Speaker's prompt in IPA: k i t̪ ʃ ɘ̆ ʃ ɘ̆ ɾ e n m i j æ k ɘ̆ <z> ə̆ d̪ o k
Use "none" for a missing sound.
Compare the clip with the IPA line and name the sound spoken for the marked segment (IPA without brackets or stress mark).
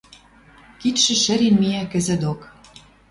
z